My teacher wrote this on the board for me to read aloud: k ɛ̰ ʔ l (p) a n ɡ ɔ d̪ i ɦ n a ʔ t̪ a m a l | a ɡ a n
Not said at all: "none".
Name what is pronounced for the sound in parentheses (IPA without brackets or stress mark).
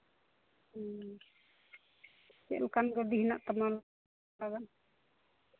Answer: k